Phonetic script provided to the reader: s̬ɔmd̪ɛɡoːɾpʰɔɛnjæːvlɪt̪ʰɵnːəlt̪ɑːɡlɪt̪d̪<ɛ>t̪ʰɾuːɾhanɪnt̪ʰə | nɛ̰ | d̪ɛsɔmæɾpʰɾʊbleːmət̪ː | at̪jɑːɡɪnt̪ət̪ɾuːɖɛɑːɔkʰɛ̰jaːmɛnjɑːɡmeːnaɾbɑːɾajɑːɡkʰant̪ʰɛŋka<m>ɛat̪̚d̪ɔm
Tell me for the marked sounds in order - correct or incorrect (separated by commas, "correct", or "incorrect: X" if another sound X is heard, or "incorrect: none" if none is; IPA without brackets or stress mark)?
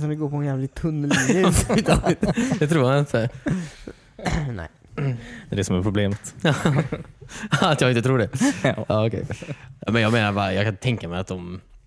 correct, correct